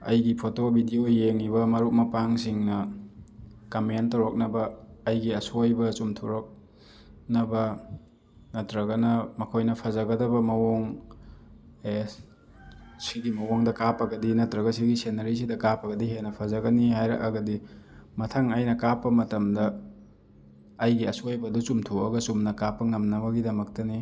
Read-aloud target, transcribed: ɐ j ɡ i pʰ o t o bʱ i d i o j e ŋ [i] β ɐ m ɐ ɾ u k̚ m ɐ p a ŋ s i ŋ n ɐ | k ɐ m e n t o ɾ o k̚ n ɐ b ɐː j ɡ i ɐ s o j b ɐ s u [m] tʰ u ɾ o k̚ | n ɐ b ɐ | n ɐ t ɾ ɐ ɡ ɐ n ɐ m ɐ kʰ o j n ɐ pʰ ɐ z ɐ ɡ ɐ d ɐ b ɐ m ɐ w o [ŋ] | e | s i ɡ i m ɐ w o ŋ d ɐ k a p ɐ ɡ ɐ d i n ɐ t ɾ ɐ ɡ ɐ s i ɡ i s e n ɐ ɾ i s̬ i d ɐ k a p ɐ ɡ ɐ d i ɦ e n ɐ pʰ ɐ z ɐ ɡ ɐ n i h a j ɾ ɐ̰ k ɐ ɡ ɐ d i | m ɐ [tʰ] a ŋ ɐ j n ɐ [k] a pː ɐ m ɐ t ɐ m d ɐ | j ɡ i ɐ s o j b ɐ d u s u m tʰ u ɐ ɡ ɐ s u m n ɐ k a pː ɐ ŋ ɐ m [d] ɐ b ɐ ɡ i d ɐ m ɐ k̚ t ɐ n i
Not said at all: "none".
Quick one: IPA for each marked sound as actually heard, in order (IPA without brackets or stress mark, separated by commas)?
i, m, ŋ, tʰ, k, n